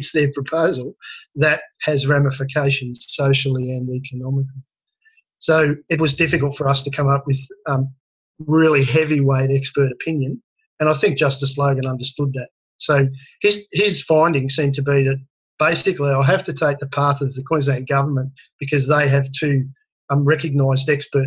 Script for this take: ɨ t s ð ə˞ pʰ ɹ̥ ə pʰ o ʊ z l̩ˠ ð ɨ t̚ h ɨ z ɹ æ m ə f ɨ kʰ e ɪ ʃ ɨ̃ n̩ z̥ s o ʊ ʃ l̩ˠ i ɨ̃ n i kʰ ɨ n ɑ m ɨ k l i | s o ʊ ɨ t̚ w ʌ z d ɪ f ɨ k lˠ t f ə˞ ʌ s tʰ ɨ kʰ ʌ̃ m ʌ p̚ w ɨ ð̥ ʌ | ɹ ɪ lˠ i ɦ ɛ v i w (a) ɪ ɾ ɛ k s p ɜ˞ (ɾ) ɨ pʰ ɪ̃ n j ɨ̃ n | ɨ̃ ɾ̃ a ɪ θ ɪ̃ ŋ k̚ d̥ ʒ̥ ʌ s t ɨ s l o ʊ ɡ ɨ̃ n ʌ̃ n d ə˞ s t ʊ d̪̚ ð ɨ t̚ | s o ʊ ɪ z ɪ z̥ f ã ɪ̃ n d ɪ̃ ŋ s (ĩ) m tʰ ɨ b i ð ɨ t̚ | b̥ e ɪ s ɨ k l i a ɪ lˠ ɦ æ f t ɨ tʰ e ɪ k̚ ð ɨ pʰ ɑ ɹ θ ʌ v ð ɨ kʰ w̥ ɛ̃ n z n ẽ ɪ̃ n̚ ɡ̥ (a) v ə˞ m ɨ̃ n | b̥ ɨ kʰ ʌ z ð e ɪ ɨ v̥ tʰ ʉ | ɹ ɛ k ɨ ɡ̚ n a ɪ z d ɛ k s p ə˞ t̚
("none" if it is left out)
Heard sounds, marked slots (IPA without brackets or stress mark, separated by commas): e, ɾ, ĩ, ʌ